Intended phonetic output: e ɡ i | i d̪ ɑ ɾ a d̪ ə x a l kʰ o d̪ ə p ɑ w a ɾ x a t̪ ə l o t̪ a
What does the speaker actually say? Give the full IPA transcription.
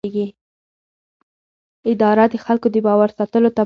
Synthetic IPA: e ɡ i | ɪ d̪ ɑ ɾ a d̪ ə x a l k o d̪ ə b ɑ w a ɾ s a t̪ ə l o t̪ a